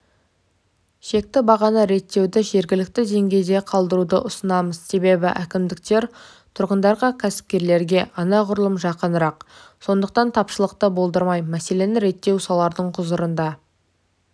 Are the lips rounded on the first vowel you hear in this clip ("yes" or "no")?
no